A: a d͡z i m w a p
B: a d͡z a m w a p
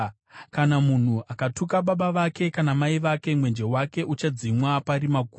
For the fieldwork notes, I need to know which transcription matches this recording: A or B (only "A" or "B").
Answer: A